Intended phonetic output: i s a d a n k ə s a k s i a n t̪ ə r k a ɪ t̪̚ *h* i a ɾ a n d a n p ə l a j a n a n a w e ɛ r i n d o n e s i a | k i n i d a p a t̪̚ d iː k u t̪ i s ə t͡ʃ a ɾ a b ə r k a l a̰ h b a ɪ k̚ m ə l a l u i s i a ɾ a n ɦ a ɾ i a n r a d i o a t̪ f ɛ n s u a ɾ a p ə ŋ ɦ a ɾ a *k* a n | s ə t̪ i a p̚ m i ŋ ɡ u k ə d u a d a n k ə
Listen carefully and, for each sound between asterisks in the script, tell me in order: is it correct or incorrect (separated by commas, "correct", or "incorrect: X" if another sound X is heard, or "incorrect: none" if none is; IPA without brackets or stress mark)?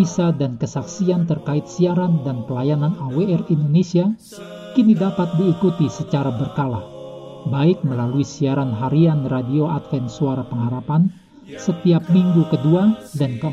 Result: incorrect: s, incorrect: p